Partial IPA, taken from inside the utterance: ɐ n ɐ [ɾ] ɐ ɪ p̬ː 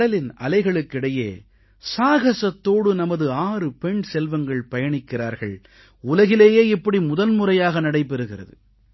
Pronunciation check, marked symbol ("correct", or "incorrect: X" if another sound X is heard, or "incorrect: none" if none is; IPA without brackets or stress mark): incorrect: ɽ